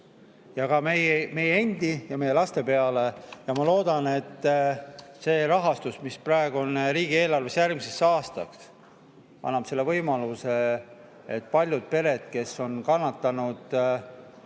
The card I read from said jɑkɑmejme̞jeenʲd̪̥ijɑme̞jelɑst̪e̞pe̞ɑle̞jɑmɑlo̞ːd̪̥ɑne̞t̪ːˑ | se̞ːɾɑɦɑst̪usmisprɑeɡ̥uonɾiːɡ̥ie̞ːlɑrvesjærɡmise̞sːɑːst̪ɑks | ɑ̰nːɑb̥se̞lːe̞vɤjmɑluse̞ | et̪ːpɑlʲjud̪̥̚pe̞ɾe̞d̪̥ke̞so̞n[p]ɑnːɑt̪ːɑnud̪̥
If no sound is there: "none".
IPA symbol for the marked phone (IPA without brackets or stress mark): k